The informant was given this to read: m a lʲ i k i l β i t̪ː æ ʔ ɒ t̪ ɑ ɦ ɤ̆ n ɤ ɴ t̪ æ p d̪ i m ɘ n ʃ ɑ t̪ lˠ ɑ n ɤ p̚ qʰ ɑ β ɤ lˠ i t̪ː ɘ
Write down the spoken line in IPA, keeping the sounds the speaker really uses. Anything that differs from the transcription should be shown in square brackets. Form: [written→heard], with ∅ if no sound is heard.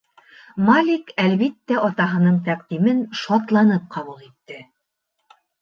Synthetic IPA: m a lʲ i k [i→æ] l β i t̪ː æ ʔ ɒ t̪ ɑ ɦ ɤ̆ n ɤ ɴ t̪ æ [p→q] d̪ i m ɘ n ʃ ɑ t̪ lˠ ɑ n ɤ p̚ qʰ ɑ β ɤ lˠ i t̪ː ɘ